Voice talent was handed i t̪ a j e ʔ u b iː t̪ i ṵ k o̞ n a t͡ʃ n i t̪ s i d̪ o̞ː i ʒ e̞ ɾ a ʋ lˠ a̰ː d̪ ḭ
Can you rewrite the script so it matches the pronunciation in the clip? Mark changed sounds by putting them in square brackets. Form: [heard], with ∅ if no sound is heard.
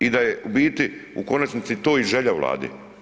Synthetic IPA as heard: i [d̪] a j e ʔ u b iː t̪ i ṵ k o̞ n a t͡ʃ n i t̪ s i [t̪] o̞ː i ʒ e̞ [ʎ] a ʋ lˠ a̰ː d̪ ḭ